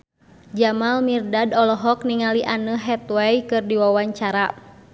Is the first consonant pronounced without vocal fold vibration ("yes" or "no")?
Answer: no